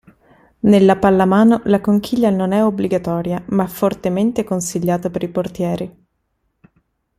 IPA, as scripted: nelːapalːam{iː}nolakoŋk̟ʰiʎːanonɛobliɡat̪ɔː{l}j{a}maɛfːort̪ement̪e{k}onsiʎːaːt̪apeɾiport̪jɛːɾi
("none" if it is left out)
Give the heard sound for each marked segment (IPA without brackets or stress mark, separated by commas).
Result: aː, ɾ, a, k